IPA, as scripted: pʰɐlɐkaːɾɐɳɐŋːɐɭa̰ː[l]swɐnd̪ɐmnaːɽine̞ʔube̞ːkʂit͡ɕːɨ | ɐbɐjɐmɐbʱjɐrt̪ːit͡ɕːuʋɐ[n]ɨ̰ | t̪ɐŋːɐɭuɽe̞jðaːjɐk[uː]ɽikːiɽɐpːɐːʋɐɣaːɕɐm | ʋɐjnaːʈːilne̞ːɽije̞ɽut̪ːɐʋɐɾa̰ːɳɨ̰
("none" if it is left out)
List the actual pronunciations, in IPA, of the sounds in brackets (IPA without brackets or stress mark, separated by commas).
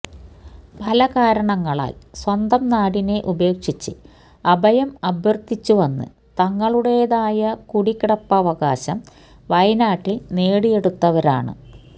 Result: l, nː, u